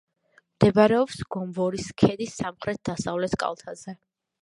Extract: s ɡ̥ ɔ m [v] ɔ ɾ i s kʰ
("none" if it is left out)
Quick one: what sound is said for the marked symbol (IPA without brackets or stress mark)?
v